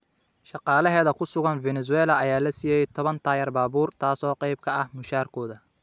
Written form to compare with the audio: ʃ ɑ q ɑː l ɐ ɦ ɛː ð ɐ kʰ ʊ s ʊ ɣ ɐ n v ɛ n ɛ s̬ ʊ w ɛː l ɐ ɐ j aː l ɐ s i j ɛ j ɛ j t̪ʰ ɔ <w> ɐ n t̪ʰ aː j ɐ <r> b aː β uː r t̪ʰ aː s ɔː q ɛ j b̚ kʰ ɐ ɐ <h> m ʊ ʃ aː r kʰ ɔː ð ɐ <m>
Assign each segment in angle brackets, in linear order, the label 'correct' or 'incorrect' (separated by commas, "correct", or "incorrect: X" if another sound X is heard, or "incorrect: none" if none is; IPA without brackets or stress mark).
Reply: incorrect: β, correct, correct, incorrect: none